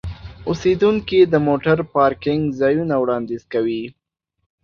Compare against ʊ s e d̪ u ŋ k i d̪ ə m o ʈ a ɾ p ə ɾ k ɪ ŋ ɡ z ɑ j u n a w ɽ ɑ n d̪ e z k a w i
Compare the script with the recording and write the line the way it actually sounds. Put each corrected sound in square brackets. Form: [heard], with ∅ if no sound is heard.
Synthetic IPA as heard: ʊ s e d̪ u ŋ k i d̪ ə m o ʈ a ɾ p [ɑ] ɾ k ɪ ŋ ɡ z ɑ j u n a w ɽ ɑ n d̪ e z k a w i